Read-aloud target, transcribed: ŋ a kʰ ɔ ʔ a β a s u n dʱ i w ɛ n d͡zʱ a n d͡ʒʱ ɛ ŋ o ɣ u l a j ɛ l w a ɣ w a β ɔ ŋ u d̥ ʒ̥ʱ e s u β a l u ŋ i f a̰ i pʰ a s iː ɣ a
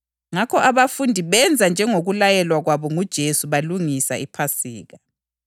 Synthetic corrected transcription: ŋ a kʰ ɔ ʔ a β a f u n dʱ i β ɛ n d͡zʱ a n d͡ʒʱ ɛ ŋ o ɣ u l a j ɛ l w a ɣ w a β ɔ ŋ u d̥ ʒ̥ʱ e s u β a l u ŋ i s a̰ i pʰ a s iː ɣ a